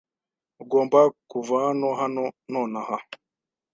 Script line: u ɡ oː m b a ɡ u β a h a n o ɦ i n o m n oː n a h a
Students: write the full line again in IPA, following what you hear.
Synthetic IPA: u ɡ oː m b a k u v a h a n o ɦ a n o n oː n a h a

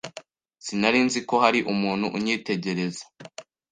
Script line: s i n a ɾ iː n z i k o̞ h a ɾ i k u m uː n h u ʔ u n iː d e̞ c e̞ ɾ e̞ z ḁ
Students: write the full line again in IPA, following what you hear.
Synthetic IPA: s i n a ɾ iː n z i k o̞ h a ɾ i ʔ u m uː n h u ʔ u ɲ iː t e̞ ɟ e̞ ɾ e̞ z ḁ

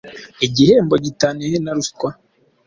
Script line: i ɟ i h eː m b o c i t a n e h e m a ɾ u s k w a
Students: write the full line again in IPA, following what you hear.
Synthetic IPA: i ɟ i h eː m b o ɟ i t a n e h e n a ɾ u s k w a

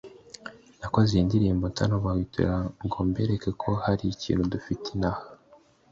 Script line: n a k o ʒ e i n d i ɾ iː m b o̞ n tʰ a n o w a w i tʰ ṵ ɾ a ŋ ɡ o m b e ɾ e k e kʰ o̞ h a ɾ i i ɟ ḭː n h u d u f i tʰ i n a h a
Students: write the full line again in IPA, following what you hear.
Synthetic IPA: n a k o z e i n d i ɾ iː m b o̞ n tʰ a n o β a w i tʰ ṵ ɾ a ŋ ɡ o m b e ɾ e k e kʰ o̞ h a ɾ i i c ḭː n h u d u f i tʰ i n a h a

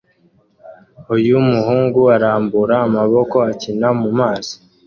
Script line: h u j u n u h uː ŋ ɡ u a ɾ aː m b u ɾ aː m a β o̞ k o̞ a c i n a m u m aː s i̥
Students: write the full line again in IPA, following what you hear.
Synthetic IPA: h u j u m u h uː ŋ ɡ u a ɾ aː m b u ɾ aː m a β o̞ k o̞ a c i n a m u m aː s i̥

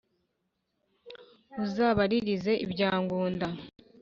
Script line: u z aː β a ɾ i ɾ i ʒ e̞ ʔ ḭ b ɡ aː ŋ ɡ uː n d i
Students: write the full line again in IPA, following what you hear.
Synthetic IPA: u z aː β a ɾ i ɾ i z e̞ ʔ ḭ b ɟ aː ŋ ɡ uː n d a

